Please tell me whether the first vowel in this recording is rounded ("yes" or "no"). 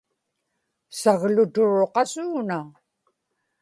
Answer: no